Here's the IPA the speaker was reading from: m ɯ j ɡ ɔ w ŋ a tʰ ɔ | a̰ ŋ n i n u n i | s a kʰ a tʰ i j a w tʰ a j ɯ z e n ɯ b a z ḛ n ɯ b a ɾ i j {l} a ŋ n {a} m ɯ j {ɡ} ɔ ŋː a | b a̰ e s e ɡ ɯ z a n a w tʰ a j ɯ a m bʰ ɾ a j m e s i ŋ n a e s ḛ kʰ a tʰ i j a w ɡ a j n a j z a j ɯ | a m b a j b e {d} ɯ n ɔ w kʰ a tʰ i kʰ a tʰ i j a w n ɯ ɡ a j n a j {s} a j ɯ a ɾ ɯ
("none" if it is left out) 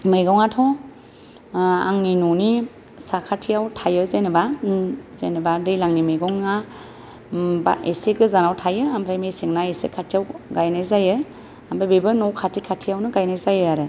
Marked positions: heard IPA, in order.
l, i, ɡ, b, z

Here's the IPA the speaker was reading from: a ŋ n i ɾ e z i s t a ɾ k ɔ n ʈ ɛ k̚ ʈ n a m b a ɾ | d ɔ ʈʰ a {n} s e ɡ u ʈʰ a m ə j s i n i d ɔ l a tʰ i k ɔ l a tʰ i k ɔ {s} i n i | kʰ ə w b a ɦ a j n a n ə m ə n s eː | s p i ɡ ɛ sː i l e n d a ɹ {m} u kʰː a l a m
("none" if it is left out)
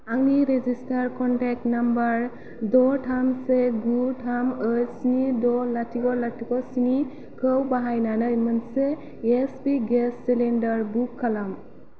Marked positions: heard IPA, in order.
m, s, b

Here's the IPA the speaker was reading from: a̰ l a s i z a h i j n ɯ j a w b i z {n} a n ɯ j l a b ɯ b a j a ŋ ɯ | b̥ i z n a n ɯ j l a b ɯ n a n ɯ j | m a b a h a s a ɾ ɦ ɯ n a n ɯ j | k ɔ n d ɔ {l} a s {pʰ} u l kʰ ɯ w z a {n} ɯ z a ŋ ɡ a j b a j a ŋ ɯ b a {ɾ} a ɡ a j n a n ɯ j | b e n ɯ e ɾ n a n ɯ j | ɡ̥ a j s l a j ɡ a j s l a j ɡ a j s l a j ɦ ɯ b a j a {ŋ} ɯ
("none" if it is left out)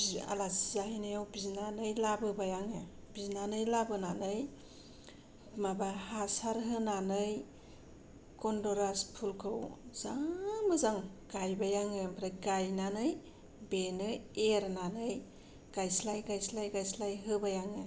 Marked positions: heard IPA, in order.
n, ɾ, pʰ, m, ɾ, ŋ

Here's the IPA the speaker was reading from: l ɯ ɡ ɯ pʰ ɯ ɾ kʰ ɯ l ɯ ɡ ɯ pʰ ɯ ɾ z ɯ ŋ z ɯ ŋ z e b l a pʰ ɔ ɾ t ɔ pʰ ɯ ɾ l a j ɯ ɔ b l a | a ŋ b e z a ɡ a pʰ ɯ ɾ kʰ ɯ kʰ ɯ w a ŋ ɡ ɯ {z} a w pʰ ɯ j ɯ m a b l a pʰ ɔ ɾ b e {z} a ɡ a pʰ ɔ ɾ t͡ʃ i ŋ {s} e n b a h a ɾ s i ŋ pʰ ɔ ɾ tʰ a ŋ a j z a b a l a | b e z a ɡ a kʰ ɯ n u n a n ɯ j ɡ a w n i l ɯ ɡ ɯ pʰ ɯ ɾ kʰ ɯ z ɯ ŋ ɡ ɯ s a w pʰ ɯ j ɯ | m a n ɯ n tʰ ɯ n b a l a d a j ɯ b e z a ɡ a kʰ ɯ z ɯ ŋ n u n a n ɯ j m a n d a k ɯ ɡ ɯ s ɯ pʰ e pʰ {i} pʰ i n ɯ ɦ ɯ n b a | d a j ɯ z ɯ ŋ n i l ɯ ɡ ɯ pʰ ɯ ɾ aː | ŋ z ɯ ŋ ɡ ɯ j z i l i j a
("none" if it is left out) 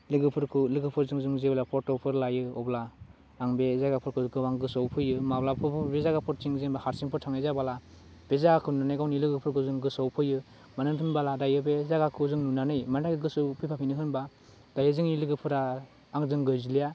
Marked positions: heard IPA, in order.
s, z, z, a

